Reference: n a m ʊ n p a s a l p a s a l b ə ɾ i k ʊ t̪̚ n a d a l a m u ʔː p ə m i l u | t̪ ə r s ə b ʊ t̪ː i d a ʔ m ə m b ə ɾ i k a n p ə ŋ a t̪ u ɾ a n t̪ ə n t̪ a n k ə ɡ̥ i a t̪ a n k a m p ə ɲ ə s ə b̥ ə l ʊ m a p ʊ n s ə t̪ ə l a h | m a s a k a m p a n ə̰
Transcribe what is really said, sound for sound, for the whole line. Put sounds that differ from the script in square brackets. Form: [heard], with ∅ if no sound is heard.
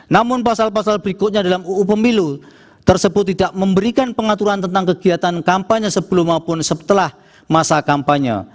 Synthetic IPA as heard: n a m ʊ n p a s a l p a s a l b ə ɾ i k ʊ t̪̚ [ɲ] a d a l a m u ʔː p ə m i l u | t̪ ə r s ə b ʊ t̪ː i d a ʔ m ə m b ə ɾ i k a n p ə ŋ a t̪ u ɾ a n t̪ ə n t̪ a [ŋ] k ə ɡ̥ i a t̪ a n k a m p [a] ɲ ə s ə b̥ ə l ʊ m a p ʊ n s ə t̪ ə l a h | m a s a k a m p a [ɲ] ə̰